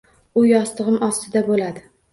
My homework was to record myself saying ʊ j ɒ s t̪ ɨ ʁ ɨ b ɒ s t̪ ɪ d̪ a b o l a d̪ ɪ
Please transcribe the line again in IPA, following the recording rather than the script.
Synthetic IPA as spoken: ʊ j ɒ s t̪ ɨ ʁ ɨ m ɒ s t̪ ɪ d̪ a b o l a d̪ ɪ